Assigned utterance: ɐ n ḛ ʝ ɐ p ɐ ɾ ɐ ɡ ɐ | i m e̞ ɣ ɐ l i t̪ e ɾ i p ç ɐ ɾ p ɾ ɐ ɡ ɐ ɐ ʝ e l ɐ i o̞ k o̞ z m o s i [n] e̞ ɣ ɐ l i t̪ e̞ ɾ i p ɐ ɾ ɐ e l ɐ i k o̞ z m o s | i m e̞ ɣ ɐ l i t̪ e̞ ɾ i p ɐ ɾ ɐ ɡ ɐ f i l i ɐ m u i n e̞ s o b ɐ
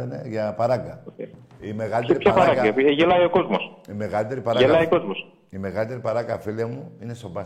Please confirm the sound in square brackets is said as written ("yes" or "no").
no